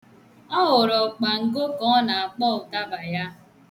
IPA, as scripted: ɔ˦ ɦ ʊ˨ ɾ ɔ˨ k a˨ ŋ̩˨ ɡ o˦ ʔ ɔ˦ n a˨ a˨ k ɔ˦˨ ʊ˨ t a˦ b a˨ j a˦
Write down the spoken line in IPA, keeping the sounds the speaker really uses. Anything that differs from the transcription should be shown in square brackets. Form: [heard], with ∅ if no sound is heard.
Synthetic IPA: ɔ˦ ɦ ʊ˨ ɾ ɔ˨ [k͡p] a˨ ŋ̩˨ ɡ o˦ [k] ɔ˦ n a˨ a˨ [k͡p] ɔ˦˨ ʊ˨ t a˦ b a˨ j a˦

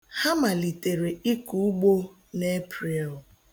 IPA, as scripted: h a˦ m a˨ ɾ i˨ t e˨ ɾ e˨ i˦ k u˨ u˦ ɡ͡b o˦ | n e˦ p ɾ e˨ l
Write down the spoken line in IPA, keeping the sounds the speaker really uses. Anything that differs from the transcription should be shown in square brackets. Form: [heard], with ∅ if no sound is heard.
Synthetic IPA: h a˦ m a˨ [l] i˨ t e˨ ɾ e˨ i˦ k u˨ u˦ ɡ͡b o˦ | n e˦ p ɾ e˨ l

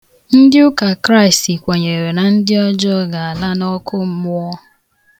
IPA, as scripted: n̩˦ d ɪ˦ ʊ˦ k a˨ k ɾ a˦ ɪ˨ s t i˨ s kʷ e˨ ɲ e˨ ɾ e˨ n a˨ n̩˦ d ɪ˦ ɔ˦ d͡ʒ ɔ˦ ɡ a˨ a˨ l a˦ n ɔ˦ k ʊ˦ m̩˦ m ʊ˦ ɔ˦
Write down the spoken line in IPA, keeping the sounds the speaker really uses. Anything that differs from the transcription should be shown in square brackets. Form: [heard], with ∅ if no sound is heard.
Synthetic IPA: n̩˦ d ɪ˦ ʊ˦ k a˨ k ɾ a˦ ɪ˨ s t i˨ [∅] kʷ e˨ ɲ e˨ ɾ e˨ n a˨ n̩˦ d ɪ˦ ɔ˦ d͡ʒ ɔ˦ ɡ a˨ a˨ l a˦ n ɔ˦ k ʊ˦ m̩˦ m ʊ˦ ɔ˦

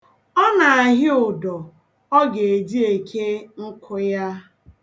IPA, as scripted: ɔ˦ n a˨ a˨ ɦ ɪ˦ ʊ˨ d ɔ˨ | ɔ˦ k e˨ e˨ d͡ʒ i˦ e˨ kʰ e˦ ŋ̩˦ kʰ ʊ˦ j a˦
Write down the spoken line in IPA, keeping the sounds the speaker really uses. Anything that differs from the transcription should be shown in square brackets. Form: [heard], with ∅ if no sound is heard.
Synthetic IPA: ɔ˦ n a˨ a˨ ɦ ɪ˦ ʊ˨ d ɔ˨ | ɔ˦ [ɡ] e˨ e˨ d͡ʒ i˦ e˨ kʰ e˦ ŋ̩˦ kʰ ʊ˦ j a˦

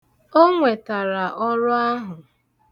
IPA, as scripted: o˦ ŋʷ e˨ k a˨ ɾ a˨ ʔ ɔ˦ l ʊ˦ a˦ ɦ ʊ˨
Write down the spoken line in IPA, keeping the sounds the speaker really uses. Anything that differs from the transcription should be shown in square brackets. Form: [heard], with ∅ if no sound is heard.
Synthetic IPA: o˦ ŋʷ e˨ [t] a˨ ɾ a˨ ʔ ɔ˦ [ɾ] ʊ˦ a˦ ɦ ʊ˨

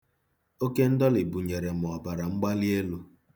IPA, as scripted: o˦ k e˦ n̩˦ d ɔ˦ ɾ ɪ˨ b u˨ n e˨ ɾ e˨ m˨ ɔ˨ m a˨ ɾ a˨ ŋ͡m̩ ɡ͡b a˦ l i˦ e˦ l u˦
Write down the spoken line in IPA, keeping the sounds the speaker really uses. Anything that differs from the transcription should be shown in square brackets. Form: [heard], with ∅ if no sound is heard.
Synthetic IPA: o˦ k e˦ n̩˦ d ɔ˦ [l] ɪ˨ b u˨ [ɲ] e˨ ɾ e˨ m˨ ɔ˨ [b] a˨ ɾ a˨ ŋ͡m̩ ɡ͡b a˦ l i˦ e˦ l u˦

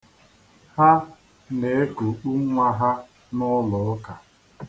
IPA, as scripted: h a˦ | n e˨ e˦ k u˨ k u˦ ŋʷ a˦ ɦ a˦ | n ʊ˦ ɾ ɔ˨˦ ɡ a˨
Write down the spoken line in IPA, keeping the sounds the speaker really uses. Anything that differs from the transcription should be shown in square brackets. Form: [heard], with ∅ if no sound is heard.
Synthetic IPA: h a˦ | n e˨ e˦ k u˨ [k͡p] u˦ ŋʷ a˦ ɦ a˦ | n ʊ˦ [l] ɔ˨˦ [k] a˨

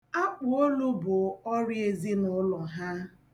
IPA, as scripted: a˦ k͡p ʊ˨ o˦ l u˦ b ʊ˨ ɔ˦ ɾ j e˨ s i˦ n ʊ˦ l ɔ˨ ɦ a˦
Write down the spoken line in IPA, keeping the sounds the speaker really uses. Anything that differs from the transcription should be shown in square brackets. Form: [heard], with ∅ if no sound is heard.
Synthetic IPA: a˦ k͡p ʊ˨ o˦ l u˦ b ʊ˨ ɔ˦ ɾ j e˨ [z] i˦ n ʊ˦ l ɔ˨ ɦ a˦

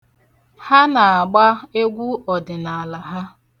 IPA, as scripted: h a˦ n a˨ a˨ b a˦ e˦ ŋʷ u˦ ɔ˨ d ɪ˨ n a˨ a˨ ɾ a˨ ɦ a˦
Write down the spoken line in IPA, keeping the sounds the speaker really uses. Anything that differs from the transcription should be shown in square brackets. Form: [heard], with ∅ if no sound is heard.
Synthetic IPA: h a˦ n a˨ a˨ [ɡ͡b] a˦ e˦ [ɡʷ] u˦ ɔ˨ d ɪ˨ n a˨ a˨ [l] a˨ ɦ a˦

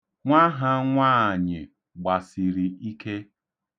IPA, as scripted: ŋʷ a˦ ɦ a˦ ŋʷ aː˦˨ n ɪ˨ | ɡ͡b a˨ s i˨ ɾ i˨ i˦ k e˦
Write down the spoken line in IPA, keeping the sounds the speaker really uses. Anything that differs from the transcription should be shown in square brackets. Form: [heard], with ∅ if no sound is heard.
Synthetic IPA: ŋʷ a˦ ɦ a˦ ŋʷ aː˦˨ [ɲ] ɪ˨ | ɡ͡b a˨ s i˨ ɾ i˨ i˦ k e˦

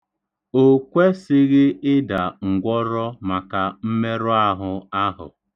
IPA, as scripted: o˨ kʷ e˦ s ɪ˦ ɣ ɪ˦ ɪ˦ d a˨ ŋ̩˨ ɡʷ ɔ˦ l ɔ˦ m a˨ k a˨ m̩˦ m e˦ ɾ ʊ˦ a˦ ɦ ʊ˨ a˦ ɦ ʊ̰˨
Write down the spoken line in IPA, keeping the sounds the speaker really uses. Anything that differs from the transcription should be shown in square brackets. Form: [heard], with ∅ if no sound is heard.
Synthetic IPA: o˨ kʷ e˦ s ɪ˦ ɣ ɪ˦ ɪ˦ d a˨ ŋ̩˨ ɡʷ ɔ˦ [ɾ] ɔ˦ m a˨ k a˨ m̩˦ m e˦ ɾ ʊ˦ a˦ ɦ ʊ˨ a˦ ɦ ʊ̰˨

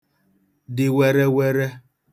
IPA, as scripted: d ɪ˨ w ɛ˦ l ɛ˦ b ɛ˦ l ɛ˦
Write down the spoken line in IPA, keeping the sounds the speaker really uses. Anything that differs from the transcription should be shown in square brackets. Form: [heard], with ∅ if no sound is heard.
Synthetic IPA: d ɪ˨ w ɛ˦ [ɾ] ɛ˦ [w] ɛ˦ [ɾ] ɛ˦

